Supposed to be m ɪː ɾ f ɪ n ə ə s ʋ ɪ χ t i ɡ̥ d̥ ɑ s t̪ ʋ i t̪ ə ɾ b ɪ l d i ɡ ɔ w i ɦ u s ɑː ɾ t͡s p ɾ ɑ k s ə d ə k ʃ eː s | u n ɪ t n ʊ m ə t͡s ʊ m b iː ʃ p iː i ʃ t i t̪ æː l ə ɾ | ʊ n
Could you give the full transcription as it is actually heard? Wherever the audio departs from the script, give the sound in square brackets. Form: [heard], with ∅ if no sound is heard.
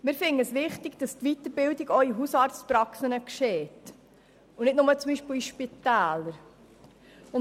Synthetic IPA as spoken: m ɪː ɾ f ɪ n ə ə s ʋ ɪ χ t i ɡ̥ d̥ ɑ s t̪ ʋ i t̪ ə ɾ b ɪ l d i ɡ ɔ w i ɦ u s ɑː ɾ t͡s p ɾ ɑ k s ə [n] ə k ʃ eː [t] | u n ɪ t n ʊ m ə t͡s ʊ m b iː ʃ p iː i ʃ [p] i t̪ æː l ə ɾ | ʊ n